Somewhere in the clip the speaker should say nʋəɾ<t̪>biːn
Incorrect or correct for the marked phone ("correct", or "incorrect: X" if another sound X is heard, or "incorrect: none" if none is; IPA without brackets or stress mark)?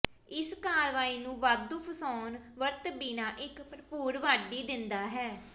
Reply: correct